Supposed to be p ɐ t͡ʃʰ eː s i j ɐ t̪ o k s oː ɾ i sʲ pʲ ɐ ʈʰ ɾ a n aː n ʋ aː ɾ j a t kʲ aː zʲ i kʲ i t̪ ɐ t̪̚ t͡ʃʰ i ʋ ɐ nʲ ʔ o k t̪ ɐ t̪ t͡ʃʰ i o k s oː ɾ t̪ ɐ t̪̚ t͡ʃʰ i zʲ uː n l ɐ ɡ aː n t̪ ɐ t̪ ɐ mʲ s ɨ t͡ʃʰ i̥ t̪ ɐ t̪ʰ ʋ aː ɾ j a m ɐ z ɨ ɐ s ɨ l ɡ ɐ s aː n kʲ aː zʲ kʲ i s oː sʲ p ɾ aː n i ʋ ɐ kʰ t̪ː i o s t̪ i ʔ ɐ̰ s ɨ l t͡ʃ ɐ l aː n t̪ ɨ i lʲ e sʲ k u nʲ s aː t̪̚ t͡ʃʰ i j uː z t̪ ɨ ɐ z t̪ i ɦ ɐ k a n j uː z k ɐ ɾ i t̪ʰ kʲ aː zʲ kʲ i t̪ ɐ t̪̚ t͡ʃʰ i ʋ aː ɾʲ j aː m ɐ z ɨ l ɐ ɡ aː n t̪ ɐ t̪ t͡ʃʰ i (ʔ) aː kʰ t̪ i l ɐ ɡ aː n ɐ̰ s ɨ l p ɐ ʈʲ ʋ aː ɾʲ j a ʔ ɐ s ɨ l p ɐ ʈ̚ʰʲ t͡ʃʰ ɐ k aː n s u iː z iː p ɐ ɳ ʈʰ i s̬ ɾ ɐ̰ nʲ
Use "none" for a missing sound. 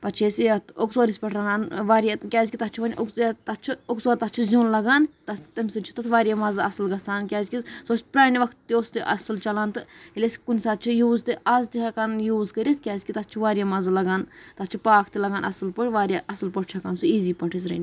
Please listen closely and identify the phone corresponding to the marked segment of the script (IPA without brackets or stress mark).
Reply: p